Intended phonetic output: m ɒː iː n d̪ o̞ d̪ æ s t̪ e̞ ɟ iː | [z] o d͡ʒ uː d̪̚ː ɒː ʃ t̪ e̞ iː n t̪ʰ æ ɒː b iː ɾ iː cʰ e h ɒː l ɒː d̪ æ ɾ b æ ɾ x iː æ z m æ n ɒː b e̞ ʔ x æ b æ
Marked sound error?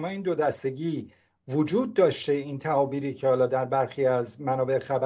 yes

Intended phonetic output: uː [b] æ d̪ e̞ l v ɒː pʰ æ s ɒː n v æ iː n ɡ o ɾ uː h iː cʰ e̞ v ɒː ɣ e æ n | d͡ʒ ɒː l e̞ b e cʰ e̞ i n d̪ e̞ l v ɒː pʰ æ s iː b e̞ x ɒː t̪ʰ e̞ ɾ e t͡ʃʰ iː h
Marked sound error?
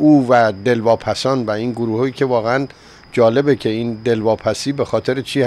yes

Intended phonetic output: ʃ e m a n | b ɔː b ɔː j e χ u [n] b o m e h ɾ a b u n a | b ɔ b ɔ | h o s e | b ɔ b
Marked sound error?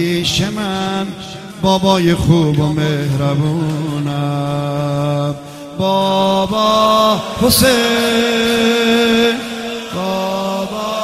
yes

